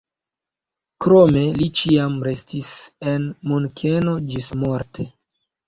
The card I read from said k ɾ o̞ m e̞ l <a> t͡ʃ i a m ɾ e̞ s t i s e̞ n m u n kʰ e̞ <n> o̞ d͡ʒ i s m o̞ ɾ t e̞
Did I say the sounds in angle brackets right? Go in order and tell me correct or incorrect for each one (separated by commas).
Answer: incorrect, correct